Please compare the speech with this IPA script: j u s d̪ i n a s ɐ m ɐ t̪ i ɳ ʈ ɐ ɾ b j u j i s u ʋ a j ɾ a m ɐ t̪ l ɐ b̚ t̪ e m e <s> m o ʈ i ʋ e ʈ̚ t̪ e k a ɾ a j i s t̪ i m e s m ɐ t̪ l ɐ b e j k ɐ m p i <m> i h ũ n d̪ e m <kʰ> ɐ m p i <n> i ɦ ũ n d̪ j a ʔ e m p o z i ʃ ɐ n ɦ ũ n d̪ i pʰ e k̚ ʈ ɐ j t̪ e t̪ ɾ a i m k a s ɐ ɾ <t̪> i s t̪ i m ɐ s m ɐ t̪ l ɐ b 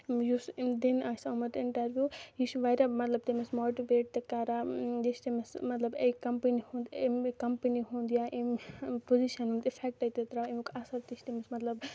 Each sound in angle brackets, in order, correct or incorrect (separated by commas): correct, incorrect, incorrect, correct, correct